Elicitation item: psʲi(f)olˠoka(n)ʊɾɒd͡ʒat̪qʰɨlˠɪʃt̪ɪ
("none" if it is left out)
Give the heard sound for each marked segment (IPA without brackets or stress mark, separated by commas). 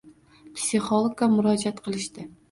χ, m